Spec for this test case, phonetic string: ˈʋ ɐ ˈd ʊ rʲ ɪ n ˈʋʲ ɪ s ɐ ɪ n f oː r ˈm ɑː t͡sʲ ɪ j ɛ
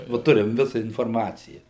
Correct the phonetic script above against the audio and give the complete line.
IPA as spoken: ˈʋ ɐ ˈt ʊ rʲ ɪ m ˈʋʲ ɪ s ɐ ɪ n f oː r ˈm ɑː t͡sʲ ɪ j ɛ